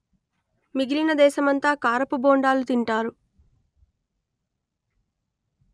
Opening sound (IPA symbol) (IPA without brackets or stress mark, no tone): m